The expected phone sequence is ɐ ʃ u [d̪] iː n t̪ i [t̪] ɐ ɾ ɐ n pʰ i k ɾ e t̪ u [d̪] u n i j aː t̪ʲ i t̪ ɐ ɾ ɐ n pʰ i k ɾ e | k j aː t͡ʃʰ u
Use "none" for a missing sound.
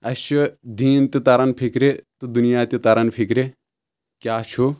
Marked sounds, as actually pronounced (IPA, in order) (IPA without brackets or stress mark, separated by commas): d̪, t̪, d̪